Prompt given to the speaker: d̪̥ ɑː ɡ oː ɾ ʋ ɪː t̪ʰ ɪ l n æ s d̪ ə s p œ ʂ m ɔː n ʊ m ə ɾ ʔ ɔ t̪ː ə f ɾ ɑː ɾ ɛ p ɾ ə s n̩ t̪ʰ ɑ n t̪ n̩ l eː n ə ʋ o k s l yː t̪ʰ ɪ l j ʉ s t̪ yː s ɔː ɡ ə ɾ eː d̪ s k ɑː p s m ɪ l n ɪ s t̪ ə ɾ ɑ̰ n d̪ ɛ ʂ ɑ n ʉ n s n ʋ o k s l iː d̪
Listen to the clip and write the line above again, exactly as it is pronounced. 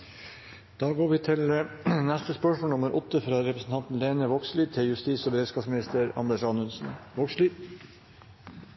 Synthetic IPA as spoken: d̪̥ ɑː ɡ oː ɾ ʋ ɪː t̪ʰ ɪ l n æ s t̪ ə s p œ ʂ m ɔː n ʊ m ə ɾ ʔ ɔ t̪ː ə f ɾ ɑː ɾ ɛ p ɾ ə s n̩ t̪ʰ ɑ n t̪ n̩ l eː n ə ʋ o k s l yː t̪ʰ ɪ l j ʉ s t̪ iː s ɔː b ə ɾ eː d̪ s k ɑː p s m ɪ n ɪ s t̪ ə ɾ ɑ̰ n d̪ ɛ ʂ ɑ n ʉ n s n ʋ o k s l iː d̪

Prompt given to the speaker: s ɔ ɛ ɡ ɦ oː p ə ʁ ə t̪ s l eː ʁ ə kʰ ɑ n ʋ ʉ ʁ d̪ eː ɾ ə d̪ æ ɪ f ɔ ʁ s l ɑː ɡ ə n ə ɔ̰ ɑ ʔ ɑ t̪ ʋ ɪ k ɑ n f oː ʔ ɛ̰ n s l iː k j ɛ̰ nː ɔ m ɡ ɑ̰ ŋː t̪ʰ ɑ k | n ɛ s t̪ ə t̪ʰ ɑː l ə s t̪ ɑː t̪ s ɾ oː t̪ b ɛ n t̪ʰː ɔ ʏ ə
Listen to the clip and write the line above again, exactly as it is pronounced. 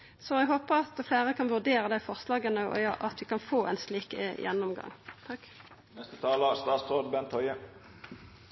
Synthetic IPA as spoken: s ɔ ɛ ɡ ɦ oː p ə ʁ ɑ t̪ f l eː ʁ ə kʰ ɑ n ʋ ʉ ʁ d̪ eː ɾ ə d̪ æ ɪ f ɔ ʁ s l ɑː ɡ ə n ə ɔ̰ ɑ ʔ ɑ t̪ ʋ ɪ k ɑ n f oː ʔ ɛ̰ n s l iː k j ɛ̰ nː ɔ m ɡ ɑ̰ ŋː t̪ʰ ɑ k | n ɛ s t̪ ə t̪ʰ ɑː l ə s t̪ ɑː t̪ s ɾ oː d̪ b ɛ n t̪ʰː ɔ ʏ ə

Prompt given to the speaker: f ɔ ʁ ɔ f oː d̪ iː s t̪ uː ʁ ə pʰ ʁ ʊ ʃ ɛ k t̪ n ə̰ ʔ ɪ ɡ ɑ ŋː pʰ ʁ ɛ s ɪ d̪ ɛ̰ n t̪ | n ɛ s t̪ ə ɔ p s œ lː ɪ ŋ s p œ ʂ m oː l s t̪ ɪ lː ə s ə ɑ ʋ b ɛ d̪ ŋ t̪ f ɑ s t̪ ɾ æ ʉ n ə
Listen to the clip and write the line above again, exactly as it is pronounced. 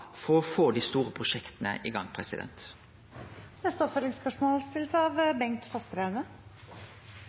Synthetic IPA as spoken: f ɔ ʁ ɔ f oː d̪ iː s t̪ uː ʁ ə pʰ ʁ ʊ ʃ ɛ k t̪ n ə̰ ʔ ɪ ɡ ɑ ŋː pʰ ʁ ɛ s ɪ d̪ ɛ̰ n t̪ | n ɛ s t̪ ə ɔ p f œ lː ɪ ŋ s p œ ʂ m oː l s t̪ ɪ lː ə s ə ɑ ʋ b ɛ ŋ t̪ f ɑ s t̪ ɾ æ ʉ n ə

